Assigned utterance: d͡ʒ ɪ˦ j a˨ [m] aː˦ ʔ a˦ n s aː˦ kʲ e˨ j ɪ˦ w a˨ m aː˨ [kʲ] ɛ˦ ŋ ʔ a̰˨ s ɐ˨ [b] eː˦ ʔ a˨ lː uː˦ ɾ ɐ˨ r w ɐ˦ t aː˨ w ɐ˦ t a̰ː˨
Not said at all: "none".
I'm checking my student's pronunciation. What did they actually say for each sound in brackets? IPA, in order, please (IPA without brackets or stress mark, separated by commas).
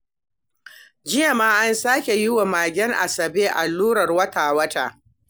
m, ɡʲ, b